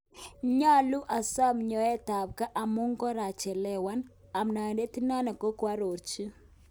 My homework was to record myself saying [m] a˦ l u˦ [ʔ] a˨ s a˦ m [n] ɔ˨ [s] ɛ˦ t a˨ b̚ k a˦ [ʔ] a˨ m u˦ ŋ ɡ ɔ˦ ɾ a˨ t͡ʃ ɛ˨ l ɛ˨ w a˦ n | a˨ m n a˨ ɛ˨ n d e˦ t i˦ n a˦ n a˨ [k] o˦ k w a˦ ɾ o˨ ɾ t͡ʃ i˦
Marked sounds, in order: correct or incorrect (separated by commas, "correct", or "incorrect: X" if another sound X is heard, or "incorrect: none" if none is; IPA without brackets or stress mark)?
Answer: incorrect: ɲ, correct, incorrect: ɲ, incorrect: none, correct, correct